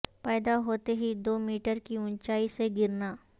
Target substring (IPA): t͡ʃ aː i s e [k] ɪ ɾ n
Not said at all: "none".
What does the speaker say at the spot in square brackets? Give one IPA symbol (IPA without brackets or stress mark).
ɡ